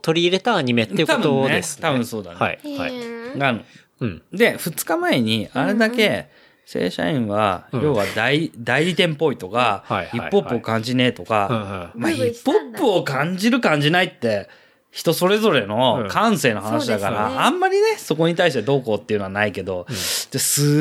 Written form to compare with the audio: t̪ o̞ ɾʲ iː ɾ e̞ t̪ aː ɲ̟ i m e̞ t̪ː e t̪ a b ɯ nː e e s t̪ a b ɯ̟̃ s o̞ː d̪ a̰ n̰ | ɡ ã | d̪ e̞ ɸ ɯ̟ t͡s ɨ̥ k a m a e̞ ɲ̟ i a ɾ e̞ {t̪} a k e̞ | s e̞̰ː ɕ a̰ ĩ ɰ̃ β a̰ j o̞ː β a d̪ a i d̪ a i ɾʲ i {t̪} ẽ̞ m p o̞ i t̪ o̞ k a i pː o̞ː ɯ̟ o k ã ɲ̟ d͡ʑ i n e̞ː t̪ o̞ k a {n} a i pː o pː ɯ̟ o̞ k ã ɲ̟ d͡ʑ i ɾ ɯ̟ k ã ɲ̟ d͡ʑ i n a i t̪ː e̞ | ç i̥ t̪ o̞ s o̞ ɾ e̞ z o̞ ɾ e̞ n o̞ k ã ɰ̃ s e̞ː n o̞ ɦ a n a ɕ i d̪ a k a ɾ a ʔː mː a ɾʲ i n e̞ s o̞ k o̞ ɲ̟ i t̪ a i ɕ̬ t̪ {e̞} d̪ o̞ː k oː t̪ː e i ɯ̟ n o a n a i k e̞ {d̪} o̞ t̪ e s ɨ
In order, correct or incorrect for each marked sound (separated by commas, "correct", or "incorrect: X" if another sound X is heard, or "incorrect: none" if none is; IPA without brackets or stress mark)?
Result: incorrect: d̪, correct, incorrect: m, correct, correct